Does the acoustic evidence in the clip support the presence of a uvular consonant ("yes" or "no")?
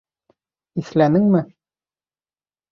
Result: no